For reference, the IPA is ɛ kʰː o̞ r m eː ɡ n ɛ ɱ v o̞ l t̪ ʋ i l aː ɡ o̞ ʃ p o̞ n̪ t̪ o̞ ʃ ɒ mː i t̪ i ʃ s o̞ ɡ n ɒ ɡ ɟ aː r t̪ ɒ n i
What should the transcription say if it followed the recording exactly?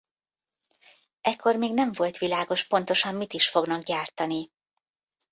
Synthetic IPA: ɛ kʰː o̞ r m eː ɡ n ɛ ɱ v o̞ l t̪ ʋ i l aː ɡ o̞ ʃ p o̞ n̪ t̪ o̞ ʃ ɒ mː i t̪ i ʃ f o̞ ɡ n ɒ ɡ ɟ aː r t̪ ɒ n i